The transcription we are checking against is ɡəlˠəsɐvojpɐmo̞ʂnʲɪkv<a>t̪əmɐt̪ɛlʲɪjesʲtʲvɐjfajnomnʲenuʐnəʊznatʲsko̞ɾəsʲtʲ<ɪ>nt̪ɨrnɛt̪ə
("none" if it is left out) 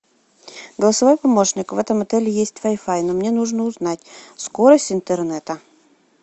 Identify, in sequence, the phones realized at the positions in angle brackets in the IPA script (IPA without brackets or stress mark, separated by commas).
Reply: ɛ, ɪ